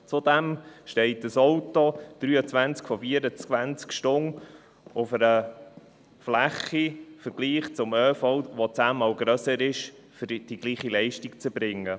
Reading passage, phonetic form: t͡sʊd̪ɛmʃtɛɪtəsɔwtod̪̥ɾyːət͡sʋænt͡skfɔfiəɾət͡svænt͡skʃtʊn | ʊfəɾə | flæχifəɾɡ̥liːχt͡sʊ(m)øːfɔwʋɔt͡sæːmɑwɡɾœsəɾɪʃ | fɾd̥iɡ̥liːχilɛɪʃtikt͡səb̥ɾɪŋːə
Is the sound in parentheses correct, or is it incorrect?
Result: correct